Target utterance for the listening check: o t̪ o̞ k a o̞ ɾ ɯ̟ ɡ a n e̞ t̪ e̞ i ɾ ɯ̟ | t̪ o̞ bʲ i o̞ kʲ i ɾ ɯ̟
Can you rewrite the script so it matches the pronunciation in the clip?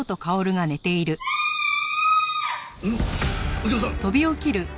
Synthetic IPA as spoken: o t̪ o̞ k a o̞ ɾ ɯ̟ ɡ a n e̞ t̪ e̞ i ɾ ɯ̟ | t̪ o̞ bʲ i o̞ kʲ i ɾ ɯ̟